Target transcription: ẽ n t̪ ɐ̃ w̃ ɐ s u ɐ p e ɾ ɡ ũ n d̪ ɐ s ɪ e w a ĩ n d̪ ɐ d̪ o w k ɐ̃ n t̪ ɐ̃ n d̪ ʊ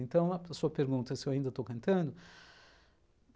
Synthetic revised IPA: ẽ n t̪ ɐ̃ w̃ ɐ s u ɐ p e ɾ ɡ ũ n t̪ ɐ s ɪ e w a ĩ n d̪ ɐ t̪ o w k ɐ̃ n t̪ ɐ̃ n d̪ ʊ